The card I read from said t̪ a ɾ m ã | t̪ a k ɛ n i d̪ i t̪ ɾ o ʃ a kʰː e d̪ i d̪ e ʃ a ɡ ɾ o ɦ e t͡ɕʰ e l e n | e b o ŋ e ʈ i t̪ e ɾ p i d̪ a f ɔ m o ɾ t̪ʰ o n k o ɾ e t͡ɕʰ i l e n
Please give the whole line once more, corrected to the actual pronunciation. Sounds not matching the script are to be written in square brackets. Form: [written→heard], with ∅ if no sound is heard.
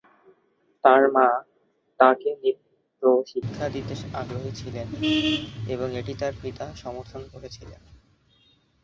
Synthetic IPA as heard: t̪ a ɾ m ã | t̪ a k [ɛ→e] n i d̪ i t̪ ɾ o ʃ [a→i] kʰː [e→a] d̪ i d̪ e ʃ a ɡ ɾ o ɦ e t͡ɕʰ [e→i] l e n | e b o ŋ e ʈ i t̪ [e→a] ɾ p i [d̪→t̪] a [f→ʃ] ɔ m o ɾ t̪ʰ o n k o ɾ e t͡ɕʰ i l e n